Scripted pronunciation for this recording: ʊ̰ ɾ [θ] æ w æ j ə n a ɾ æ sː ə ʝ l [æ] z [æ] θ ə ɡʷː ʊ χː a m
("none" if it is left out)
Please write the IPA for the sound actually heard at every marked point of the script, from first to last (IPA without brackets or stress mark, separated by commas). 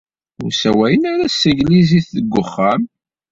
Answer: s, i, i